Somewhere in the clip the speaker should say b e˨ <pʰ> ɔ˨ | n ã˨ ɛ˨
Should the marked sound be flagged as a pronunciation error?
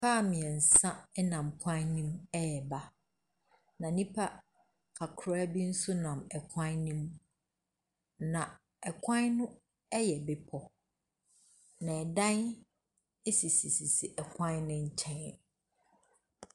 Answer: no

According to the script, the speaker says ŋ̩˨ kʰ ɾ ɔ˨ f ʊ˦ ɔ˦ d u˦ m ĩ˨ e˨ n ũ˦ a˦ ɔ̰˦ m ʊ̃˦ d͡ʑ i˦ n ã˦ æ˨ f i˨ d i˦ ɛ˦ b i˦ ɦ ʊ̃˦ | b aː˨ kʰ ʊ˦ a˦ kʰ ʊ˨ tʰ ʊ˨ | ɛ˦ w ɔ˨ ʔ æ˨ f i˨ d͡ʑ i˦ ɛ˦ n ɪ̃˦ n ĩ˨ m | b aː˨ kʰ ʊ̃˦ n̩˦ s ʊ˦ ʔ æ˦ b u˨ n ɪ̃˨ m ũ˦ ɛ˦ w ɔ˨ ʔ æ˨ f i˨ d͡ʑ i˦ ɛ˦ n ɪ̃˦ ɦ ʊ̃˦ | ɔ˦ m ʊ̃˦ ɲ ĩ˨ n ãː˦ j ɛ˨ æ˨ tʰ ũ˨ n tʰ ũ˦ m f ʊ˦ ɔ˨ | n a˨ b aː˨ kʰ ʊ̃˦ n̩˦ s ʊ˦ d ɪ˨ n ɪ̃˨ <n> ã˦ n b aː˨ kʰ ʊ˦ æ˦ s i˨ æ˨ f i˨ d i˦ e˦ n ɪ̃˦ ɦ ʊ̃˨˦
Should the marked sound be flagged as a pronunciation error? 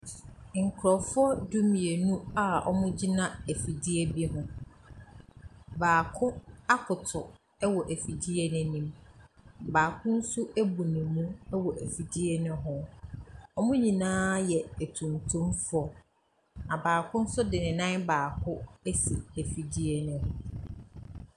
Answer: no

